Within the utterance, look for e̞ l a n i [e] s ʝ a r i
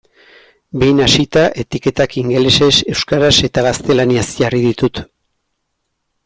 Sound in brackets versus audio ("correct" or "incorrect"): incorrect